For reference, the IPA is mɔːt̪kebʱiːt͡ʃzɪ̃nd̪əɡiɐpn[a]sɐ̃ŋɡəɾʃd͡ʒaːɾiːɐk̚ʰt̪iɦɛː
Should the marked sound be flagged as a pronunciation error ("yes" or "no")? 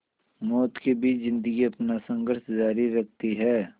no